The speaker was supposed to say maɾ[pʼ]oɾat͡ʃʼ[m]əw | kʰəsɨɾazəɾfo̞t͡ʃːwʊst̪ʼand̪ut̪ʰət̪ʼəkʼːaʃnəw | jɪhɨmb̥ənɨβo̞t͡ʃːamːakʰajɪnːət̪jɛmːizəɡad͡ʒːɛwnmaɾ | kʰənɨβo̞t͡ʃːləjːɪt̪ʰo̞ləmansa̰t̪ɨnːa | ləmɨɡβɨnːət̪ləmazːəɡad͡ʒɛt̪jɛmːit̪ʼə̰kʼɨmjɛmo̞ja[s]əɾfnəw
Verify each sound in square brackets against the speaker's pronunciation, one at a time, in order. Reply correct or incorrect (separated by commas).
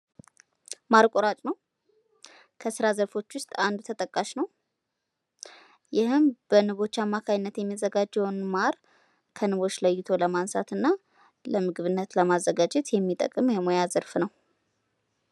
incorrect, incorrect, incorrect